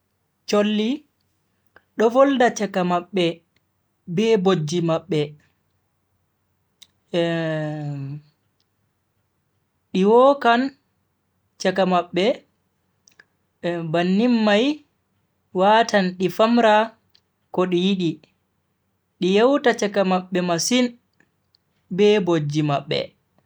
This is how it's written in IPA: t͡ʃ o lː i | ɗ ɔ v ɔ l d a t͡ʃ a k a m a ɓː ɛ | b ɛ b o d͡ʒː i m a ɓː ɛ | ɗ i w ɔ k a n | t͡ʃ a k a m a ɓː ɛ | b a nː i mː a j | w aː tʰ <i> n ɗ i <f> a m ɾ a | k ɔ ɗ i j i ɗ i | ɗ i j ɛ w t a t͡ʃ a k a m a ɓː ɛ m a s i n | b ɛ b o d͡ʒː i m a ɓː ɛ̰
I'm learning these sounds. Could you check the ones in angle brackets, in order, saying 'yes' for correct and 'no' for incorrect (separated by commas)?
no, yes